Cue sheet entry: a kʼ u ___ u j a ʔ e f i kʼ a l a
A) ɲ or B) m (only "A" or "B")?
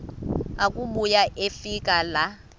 B